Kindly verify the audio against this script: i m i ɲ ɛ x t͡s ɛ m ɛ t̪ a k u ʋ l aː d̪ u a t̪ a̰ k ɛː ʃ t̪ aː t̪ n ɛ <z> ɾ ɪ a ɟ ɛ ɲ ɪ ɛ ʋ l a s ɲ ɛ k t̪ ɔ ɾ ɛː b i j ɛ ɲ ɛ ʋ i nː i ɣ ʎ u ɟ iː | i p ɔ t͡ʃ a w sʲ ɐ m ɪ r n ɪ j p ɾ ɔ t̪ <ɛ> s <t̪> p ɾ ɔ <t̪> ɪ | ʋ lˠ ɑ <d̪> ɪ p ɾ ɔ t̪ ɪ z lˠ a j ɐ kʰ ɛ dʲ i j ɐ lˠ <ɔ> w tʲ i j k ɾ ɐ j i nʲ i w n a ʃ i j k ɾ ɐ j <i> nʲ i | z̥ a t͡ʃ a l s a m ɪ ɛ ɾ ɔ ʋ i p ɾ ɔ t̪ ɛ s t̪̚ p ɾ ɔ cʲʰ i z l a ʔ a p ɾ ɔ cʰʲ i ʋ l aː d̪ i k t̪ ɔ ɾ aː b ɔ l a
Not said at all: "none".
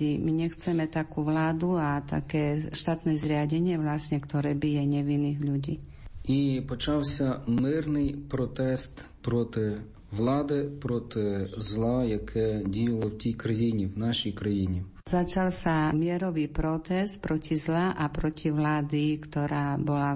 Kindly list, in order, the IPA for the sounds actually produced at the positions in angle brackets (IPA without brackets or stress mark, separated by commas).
z, ɛ, t̪, t̪, d̪, ɔ, i